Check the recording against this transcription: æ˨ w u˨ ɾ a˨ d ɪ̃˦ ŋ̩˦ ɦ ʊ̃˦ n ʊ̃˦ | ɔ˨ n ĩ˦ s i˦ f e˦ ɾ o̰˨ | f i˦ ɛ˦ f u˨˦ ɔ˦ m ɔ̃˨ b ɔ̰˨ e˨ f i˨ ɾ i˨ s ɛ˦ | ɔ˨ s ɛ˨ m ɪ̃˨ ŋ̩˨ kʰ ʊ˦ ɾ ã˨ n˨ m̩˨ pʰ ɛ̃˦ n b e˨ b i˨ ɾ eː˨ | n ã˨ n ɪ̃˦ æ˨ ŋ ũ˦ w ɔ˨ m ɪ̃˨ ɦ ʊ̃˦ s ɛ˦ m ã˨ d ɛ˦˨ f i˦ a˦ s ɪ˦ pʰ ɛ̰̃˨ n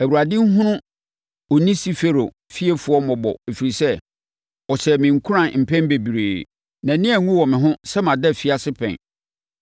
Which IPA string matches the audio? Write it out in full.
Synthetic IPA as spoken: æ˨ w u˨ ɾ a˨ d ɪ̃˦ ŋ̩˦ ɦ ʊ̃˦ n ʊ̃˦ | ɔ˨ n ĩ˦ s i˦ f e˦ ɾ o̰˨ | f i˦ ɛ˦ f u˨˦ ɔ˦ m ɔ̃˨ b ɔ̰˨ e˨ f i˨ ɾ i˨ s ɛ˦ | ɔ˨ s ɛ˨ m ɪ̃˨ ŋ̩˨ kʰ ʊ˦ ɾ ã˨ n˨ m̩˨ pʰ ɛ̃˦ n b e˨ b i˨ ɾ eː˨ | n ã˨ n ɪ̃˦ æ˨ ŋ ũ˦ w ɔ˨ m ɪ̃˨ ɦ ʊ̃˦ s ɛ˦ m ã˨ d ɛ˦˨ f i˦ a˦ s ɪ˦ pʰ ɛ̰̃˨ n

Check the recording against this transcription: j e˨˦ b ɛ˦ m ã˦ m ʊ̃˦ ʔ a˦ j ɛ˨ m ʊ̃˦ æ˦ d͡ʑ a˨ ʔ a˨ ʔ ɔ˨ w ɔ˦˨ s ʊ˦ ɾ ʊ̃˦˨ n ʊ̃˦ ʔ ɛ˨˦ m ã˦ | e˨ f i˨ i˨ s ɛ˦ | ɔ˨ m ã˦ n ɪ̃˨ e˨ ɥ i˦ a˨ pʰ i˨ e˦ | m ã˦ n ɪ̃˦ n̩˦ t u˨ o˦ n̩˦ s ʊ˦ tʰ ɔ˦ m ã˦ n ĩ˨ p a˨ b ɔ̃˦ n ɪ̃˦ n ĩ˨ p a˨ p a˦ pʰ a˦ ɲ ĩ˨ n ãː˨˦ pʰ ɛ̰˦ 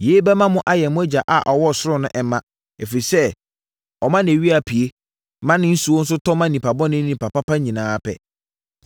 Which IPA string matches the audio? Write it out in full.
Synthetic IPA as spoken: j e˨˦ b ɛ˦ m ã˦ m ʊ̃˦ ʔ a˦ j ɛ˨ m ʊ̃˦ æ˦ d͡ʑ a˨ ʔ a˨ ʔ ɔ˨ w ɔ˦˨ s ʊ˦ ɾ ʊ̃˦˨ n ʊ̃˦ ʔ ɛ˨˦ m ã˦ | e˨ f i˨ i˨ s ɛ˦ | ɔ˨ m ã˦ n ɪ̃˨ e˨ ɥ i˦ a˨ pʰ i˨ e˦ | m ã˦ n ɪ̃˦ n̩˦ s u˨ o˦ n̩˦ s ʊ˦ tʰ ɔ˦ m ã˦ n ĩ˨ p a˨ b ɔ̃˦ n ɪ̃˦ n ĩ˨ p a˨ p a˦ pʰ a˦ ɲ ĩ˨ n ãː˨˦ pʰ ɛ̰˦

